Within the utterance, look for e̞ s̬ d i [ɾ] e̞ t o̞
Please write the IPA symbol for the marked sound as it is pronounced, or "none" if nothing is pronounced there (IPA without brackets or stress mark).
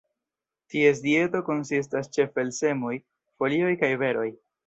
none